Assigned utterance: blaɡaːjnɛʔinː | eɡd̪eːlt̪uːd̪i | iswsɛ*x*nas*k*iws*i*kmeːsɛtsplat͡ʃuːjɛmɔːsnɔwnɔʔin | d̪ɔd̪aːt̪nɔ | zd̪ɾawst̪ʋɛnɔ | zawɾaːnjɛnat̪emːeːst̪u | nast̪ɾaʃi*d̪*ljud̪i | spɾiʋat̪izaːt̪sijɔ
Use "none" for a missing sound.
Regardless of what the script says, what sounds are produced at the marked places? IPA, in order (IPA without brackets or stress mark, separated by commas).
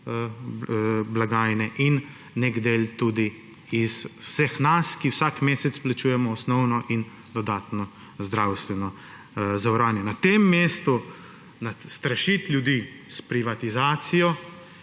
x, k, a, t̪